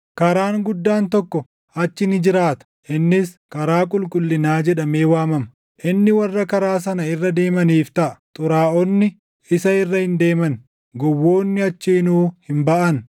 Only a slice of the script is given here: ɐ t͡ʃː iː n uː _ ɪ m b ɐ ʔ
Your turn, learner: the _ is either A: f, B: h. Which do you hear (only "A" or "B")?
B